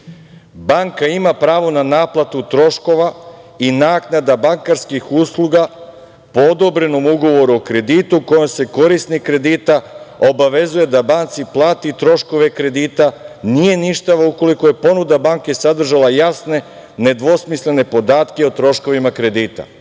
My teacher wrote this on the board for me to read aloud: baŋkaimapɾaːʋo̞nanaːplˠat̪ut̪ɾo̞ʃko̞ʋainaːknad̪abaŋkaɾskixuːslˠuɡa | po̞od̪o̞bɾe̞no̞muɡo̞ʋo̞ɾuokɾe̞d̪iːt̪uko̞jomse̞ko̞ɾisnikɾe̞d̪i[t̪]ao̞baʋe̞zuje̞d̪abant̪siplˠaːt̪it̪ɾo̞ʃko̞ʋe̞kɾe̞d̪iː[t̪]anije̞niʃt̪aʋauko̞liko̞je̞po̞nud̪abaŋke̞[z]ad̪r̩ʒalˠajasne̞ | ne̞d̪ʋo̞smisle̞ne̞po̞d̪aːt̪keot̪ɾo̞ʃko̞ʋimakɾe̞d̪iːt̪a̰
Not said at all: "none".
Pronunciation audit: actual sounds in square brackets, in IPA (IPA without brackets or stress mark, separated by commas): t̪, t̪, s